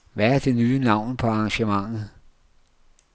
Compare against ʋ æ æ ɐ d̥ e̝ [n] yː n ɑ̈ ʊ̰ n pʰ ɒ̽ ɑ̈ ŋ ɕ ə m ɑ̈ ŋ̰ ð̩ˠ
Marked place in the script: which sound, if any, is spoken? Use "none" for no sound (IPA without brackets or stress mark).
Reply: n